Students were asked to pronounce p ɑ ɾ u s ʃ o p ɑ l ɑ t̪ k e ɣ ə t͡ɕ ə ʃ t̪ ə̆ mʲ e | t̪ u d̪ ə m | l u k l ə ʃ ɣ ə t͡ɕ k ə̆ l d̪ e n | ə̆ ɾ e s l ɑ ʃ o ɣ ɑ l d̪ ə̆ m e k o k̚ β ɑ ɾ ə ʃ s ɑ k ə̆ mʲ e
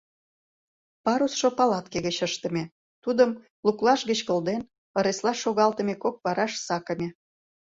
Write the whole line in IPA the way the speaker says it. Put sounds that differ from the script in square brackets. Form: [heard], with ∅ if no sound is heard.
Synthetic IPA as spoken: p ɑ ɾ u s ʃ o p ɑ l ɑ t̪ k e ɣ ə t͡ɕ ə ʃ t̪ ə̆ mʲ e | t̪ u d̪ ə m | l u k l [ɑ] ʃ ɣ ə t͡ɕ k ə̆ l d̪ e n | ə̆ ɾ e s l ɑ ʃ o ɣ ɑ l [t̪] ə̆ m e k o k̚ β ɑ ɾ [ɑ] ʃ s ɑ k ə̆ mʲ e

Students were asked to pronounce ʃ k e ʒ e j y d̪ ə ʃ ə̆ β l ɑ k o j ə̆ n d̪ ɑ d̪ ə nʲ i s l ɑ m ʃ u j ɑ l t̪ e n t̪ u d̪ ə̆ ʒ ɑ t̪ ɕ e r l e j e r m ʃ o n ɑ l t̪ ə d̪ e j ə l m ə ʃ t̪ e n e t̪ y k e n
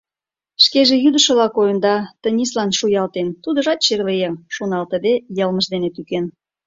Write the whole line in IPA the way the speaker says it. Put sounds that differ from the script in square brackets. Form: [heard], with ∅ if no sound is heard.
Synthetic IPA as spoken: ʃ k e ʒ e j y d̪ ə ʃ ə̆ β l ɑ k o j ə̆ n d̪ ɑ [t̪] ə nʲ i s l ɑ [n] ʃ u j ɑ l t̪ e n t̪ u d̪ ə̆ ʒ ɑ t̪ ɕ e r l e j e [∅] m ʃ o n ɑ l t̪ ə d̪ e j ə l m ə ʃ [d̪] e n e t̪ y k e n

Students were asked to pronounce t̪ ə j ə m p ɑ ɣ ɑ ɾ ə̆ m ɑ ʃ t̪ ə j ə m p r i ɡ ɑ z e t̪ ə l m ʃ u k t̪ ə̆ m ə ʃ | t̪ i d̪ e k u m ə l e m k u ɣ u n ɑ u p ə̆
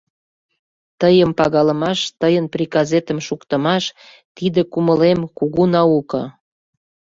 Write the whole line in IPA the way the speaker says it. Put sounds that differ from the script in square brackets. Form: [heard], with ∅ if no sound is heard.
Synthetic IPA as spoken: t̪ ə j ə m p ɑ ɣ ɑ [l] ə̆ m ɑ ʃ t̪ ə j ə [n] p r i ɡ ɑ z e t̪ ə [∅] m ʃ u k t̪ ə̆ m [ɑ] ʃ | t̪ i d̪ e k u m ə l e m k u ɣ u n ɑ u [k] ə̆

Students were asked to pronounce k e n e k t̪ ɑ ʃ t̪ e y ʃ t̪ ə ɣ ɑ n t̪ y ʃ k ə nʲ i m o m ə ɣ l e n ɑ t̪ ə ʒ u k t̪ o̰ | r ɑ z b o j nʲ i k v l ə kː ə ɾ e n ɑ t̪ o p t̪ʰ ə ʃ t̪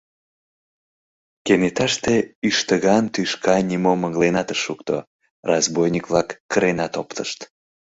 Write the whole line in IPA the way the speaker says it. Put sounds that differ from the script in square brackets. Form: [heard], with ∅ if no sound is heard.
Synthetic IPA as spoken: k e n e [∅] t̪ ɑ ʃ t̪ e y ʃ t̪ ə ɣ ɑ n t̪ y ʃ k [ɑ] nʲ i m o m ə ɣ l e n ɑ t̪ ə [ʃ] u k t̪ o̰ | r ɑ z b o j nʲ i k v l [ɑ] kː ə ɾ e n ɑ t̪ o p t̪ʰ ə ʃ t̪

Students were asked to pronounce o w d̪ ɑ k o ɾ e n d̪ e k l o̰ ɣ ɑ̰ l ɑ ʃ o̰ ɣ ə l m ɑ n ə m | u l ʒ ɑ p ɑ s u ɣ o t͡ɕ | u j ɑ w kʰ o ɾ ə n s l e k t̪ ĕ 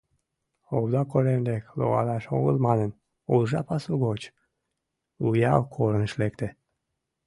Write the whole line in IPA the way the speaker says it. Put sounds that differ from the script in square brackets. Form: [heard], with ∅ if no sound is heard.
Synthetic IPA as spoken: o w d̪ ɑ k o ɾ e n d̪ e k l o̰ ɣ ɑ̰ l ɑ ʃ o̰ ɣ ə l m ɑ n ə [n] | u l ʒ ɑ p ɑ s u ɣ o t͡ɕ | u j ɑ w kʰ o ɾ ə n [ʃ] l e k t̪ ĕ

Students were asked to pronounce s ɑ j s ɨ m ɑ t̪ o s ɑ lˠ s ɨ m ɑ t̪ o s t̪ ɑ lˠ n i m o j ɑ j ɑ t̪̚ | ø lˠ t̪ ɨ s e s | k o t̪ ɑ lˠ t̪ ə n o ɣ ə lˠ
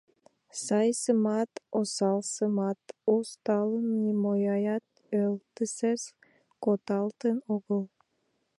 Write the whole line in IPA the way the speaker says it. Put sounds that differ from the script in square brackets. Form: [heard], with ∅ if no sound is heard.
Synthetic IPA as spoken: s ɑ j s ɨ m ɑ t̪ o s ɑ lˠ s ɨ m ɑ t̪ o s t̪ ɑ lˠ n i m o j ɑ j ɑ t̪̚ | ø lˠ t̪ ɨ s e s | k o t̪ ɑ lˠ t̪ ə n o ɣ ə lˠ

